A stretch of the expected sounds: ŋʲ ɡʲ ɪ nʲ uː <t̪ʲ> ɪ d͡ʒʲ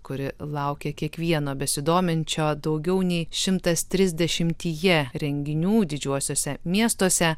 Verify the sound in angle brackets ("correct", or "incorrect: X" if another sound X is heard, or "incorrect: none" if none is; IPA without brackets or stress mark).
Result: incorrect: d̪ʲ